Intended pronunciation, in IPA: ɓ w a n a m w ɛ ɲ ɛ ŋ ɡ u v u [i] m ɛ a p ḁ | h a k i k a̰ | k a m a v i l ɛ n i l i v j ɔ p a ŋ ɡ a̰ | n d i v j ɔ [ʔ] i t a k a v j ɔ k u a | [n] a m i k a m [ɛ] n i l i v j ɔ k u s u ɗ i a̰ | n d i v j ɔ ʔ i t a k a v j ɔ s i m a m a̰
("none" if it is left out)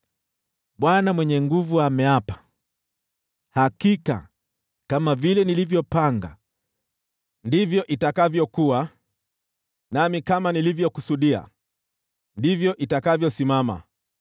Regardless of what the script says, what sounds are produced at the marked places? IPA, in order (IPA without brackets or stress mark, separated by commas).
a, ʔ, n, a